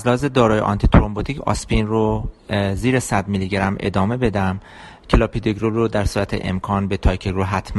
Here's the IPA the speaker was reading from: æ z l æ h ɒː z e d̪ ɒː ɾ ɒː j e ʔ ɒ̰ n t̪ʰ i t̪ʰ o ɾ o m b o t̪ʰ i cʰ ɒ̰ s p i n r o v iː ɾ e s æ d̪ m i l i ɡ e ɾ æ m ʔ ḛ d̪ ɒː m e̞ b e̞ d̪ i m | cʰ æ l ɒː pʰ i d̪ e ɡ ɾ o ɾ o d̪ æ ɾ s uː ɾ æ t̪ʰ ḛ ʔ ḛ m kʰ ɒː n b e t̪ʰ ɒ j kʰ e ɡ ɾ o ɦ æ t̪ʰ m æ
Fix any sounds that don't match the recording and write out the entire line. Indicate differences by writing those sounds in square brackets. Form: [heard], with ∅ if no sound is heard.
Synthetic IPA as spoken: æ z l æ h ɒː z e d̪ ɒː ɾ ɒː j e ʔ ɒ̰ n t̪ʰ i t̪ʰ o ɾ o m b o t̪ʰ i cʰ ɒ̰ s p i n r o [z] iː ɾ e s æ d̪ m i l i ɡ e ɾ æ m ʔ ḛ d̪ ɒː m e̞ b e̞ d̪ [æ] m | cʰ [e] l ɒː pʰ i d̪ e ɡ ɾ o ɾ o d̪ æ ɾ s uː ɾ æ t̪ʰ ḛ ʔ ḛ m kʰ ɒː n b e t̪ʰ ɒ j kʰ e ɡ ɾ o ɦ æ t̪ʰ m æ